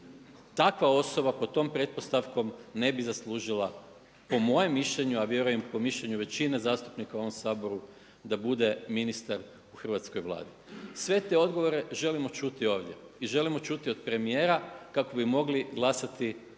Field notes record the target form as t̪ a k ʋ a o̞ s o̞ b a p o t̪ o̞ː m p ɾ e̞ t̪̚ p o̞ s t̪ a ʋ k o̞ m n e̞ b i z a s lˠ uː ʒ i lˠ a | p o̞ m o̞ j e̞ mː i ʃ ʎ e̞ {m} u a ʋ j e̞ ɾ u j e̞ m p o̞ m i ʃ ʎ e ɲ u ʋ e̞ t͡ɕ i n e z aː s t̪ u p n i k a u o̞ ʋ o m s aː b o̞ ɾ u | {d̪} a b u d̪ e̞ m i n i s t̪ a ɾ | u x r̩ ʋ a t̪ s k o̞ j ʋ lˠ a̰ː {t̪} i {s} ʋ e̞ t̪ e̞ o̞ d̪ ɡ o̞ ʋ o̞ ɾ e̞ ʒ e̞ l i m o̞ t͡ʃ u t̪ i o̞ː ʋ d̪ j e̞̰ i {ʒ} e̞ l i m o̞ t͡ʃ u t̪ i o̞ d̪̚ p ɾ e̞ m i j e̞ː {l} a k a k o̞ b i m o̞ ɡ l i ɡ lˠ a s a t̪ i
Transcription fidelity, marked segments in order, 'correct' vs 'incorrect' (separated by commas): incorrect, correct, incorrect, correct, correct, incorrect